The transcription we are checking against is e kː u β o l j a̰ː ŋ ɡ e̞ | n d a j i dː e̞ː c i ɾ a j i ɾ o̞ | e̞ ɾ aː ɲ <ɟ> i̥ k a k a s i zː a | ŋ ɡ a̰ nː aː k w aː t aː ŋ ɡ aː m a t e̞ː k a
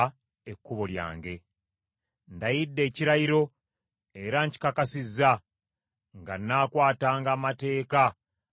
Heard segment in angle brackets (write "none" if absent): c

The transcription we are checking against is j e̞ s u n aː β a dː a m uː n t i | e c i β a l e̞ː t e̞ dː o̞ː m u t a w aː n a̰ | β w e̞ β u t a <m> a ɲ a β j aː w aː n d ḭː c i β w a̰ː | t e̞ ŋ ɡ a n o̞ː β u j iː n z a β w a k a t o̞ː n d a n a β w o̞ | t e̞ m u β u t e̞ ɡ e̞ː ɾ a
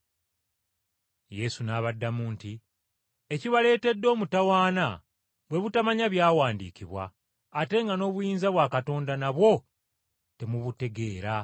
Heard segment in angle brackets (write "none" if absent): m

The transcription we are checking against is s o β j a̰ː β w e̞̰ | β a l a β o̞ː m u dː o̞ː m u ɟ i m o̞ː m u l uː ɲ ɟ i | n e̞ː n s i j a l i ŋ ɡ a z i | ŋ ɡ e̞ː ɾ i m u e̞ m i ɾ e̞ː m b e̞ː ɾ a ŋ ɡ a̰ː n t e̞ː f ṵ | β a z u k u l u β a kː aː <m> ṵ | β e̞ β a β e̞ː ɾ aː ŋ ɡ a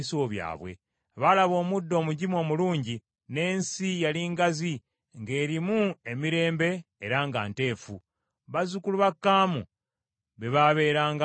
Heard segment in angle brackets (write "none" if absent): m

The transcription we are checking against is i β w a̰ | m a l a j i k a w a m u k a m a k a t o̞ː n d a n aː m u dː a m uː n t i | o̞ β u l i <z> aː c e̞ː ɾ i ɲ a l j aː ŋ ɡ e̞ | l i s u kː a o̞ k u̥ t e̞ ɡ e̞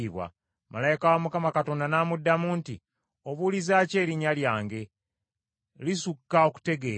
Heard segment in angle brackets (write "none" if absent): z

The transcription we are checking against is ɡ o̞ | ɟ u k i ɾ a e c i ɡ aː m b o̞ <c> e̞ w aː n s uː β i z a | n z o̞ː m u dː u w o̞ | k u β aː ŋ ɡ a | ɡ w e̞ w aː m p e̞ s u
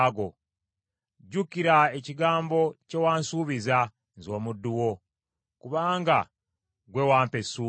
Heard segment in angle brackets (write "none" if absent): c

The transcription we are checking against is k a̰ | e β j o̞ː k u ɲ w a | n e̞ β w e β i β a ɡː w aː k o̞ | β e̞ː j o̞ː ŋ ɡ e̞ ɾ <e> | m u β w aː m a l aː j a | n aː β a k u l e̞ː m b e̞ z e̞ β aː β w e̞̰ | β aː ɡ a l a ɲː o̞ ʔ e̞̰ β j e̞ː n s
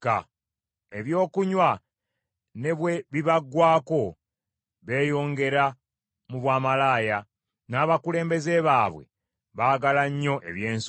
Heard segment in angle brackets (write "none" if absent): a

